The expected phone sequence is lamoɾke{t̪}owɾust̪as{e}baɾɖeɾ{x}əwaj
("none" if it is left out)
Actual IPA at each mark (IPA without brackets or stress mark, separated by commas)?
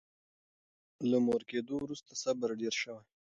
d̪, a, ʃ